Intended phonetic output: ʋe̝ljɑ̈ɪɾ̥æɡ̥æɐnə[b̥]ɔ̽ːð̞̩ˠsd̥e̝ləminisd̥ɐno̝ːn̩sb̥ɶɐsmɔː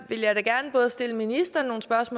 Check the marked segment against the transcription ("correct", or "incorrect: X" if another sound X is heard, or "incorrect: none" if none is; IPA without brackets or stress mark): correct